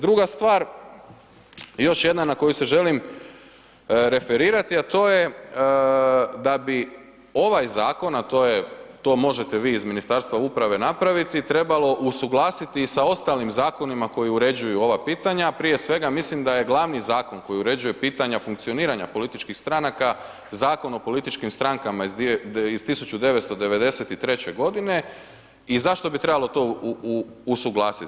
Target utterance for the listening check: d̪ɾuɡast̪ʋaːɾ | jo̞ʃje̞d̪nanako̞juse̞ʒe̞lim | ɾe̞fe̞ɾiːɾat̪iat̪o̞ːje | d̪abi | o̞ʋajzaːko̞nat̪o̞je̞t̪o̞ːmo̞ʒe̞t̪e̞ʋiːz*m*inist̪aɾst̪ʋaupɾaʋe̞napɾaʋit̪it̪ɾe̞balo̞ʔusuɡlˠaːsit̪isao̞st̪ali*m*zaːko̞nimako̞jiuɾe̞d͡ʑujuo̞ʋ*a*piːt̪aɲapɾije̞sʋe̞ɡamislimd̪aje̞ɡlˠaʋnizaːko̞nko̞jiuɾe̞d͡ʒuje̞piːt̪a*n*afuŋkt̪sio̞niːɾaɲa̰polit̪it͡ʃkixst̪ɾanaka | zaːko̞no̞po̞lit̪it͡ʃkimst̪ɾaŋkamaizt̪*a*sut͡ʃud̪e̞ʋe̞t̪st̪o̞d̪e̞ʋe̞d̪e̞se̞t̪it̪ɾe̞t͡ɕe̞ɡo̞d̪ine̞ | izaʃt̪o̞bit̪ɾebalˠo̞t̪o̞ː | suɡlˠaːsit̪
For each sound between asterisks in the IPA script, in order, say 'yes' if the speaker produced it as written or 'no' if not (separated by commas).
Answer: yes, yes, yes, no, no